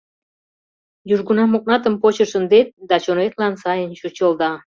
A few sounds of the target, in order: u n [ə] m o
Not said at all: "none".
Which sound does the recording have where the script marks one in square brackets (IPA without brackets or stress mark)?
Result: ɑ